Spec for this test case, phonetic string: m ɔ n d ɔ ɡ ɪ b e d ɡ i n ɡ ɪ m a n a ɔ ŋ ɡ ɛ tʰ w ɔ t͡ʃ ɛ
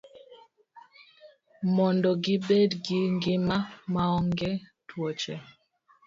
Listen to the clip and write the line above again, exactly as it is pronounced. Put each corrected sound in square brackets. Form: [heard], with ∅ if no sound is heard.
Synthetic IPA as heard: m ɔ n d ɔ ɡ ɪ b e d ɡ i [ŋ] ɡ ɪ m a [m] a ɔ ŋ ɡ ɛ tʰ w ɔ t͡ʃ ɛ